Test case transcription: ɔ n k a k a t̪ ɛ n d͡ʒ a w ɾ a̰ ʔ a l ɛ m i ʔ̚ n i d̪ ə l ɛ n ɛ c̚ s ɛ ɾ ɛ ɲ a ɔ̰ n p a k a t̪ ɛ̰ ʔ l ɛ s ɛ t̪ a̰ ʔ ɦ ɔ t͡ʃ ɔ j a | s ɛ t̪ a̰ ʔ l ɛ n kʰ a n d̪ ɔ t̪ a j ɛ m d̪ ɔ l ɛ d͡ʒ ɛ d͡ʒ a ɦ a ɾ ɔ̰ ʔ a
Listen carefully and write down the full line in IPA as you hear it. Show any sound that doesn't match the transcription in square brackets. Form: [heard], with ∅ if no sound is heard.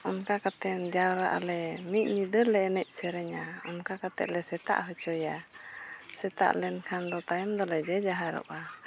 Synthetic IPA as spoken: ɔ n k a k a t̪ ɛ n d͡ʒ a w ɾ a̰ ʔ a l ɛ m i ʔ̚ [ɲ] i d̪ ə l ɛ n ɛ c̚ s ɛ ɾ ɛ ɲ a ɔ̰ n [k] a k a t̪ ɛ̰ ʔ l ɛ s ɛ t̪ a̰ ʔ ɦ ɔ t͡ʃ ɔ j a | s ɛ t̪ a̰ ʔ l ɛ n kʰ a n d̪ ɔ t̪ a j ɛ m d̪ ɔ l ɛ d͡ʒ ɛ d͡ʒ a ɦ a ɾ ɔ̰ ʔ a